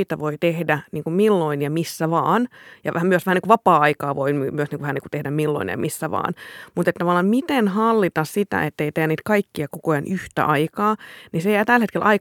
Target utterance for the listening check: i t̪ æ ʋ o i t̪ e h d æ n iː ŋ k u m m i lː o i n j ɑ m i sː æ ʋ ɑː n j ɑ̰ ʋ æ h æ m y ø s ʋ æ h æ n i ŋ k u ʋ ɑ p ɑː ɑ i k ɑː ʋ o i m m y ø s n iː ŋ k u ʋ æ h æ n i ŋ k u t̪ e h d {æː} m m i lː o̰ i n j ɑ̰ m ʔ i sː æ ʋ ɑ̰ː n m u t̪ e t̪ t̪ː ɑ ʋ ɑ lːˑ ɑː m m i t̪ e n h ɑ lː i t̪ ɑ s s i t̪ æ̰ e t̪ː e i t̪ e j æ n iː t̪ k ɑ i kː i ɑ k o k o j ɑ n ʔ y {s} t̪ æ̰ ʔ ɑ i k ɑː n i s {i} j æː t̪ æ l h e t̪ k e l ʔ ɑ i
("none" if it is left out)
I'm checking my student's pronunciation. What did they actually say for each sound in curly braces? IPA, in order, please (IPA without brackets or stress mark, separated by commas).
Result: æ, h, e